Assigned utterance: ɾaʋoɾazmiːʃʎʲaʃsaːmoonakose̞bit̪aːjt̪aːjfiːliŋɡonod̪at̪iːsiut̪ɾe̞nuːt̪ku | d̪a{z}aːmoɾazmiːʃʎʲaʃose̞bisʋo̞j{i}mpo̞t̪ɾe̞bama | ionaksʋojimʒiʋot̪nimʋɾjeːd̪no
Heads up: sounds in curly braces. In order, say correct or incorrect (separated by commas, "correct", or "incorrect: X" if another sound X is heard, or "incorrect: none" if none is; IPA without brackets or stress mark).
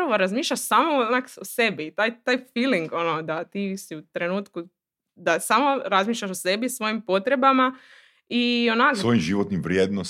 incorrect: s, correct